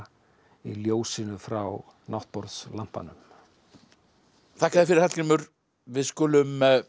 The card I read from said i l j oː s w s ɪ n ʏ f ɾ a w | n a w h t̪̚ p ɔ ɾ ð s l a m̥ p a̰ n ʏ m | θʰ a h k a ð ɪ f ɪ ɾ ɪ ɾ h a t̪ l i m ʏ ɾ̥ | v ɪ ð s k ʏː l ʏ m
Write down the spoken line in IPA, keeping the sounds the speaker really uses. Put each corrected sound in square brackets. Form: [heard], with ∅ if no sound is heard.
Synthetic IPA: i l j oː [∅] w s ɪ n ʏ f ɾ a w | n a w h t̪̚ p ɔ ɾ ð s l a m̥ p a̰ n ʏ m | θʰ a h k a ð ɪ f ɪ ɾ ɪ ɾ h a t̪ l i m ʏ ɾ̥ | v ɪ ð s k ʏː l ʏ m